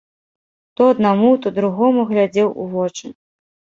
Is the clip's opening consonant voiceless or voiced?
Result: voiceless